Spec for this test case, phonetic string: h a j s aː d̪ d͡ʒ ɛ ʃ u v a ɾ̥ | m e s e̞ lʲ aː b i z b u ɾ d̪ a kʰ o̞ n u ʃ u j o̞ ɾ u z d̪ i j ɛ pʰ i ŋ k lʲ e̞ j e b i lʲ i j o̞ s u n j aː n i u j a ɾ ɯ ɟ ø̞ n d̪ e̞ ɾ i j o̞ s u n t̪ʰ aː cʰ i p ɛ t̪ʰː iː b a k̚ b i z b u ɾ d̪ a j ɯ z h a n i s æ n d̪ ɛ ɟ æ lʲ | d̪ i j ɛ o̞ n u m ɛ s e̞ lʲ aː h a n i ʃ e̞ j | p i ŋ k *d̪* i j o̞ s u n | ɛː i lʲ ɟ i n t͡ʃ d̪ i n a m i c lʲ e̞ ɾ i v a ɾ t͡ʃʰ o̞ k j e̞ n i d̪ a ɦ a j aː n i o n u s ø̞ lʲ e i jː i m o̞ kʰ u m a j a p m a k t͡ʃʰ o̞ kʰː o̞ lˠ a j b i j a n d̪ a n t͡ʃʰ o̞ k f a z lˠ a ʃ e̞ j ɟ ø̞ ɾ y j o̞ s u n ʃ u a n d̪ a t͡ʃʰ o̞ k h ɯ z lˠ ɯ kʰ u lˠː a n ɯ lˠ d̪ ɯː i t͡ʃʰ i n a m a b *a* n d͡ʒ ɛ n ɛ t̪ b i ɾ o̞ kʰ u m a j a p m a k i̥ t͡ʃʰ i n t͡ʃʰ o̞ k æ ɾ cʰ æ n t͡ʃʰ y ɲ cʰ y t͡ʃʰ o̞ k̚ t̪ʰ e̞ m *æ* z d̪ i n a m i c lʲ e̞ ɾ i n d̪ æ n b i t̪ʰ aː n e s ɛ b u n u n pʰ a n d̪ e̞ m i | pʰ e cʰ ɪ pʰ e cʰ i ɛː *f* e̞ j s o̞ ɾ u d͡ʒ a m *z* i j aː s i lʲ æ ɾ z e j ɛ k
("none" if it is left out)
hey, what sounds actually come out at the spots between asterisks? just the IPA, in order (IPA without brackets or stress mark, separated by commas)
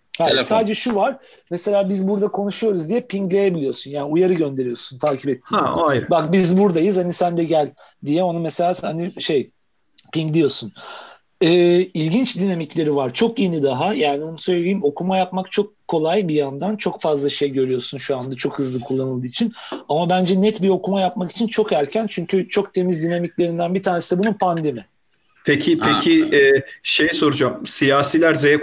d̪, æ, i, ʃ, s